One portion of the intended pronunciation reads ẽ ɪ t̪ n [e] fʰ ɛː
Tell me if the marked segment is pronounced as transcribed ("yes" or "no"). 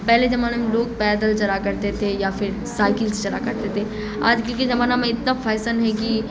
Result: no